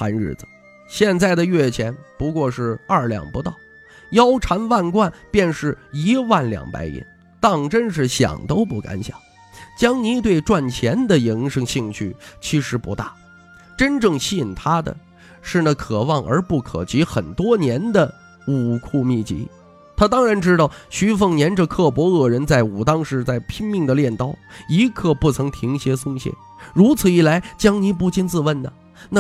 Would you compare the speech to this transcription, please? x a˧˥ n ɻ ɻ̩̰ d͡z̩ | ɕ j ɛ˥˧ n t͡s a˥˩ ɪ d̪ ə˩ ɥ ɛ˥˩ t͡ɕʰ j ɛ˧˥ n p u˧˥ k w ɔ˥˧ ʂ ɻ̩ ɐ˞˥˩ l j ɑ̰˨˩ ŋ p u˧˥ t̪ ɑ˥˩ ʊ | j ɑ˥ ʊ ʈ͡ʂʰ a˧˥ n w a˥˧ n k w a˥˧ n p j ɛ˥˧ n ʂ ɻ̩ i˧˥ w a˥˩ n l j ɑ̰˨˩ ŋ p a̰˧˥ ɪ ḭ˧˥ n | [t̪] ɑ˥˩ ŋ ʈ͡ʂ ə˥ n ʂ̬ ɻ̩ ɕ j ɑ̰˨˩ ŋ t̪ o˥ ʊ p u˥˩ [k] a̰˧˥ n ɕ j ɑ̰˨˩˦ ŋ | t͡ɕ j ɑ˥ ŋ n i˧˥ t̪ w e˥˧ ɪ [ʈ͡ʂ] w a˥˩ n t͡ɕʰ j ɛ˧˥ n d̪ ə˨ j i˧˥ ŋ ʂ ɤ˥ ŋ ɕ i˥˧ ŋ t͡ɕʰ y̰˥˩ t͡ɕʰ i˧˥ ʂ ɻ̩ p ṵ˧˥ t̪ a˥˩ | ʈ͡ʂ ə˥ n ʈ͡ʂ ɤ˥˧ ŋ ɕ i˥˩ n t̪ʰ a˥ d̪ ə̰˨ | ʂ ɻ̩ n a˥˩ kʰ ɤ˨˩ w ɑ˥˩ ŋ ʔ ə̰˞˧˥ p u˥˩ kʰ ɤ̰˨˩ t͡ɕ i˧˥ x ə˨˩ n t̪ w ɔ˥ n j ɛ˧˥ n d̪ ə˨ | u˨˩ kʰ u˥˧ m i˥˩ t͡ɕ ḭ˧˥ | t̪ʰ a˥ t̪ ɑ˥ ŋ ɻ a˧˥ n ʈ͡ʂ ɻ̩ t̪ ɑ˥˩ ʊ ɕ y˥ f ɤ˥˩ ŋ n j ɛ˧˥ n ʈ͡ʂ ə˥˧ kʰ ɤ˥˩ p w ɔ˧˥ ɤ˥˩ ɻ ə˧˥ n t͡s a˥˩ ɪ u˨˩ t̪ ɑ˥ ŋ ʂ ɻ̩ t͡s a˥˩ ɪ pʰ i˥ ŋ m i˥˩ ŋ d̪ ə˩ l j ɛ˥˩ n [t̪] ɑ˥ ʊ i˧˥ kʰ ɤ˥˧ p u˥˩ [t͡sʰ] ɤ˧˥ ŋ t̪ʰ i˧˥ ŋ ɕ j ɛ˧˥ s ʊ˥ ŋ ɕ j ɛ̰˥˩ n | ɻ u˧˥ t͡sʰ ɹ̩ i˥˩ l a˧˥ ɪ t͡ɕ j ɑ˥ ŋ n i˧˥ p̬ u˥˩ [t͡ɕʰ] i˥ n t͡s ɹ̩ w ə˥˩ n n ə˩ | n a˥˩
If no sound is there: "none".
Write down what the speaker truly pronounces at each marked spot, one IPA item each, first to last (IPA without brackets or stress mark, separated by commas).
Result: t̪, k, ʈ͡ʂ, t̪, t͡sʰ, t͡ɕ